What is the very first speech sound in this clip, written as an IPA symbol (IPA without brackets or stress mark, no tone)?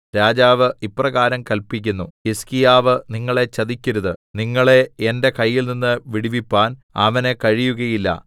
ɾ